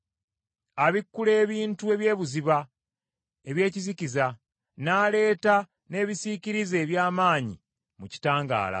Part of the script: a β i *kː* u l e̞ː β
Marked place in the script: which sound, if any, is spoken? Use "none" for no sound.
kː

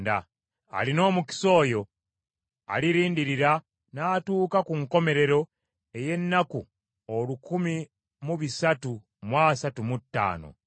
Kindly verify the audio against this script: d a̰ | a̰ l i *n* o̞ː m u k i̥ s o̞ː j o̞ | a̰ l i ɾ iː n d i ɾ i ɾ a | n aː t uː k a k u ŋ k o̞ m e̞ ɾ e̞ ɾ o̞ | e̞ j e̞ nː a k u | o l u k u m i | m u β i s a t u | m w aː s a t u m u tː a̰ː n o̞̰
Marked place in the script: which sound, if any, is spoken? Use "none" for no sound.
n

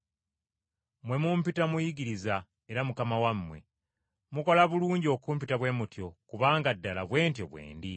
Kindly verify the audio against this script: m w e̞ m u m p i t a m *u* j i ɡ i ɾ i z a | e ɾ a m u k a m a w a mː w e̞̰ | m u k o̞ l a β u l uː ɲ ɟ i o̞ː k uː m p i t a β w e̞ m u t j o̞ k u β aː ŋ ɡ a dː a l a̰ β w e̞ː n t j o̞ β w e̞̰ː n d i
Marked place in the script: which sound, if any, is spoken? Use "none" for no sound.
u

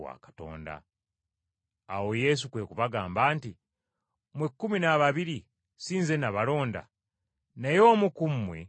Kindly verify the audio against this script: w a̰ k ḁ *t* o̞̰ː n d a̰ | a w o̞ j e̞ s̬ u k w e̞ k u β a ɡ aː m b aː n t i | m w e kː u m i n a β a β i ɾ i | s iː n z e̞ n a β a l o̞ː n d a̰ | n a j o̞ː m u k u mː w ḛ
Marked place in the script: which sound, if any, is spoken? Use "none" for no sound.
t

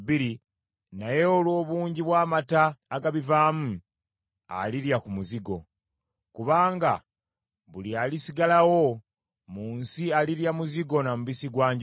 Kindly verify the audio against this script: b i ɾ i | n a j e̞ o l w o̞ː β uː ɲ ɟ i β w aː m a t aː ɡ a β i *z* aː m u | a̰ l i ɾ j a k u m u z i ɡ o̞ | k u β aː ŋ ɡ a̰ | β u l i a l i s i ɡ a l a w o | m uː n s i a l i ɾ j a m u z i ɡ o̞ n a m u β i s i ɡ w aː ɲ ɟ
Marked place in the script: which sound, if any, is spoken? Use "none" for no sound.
v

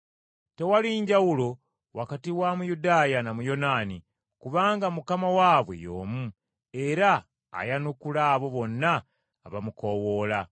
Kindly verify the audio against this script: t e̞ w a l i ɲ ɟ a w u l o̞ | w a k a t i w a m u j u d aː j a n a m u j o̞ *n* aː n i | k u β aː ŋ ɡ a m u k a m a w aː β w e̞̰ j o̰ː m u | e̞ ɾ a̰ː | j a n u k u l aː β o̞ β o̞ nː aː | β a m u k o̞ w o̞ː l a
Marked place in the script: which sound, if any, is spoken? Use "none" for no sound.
n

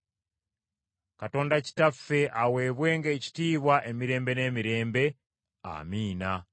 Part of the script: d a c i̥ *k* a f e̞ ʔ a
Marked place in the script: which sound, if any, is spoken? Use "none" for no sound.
t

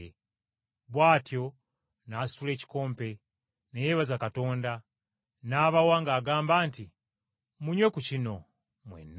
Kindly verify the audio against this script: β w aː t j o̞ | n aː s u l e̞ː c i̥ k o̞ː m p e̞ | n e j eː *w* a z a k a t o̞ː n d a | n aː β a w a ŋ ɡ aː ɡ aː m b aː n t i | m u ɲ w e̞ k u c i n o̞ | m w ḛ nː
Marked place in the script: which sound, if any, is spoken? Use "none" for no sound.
β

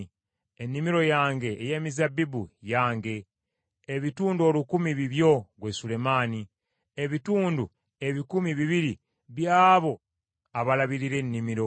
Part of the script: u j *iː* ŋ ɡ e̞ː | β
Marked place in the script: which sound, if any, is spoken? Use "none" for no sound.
aː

